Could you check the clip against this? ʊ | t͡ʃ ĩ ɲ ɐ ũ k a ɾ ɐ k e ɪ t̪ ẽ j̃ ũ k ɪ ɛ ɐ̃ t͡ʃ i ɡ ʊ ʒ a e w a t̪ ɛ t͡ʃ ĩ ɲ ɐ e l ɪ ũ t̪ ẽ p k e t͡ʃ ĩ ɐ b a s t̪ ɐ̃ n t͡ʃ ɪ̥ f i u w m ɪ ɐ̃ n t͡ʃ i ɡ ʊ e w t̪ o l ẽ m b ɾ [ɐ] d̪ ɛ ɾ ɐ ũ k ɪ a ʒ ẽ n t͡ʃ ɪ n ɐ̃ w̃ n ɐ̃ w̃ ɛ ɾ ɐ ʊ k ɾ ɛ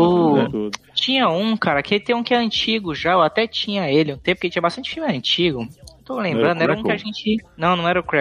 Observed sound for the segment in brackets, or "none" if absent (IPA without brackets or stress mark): ɐ̃